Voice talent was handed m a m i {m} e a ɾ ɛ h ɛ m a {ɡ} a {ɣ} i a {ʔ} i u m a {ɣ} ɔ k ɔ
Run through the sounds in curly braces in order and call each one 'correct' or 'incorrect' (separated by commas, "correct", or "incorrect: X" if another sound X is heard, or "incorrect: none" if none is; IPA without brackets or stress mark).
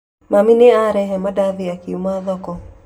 incorrect: n, incorrect: d, incorrect: ð, incorrect: k, incorrect: ð